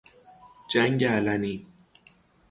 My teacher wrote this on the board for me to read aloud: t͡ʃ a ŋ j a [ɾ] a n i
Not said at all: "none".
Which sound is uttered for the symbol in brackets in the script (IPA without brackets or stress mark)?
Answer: l